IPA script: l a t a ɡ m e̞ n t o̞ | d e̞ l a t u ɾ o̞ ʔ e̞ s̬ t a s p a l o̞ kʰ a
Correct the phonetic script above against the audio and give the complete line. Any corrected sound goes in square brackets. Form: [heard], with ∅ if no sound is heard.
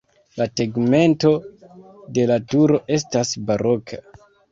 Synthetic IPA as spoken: l a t [e] ɡ m e̞ n t o̞ | d e̞ l a t u ɾ o̞ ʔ e̞ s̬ t a s [b] a [ɾ] o̞ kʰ a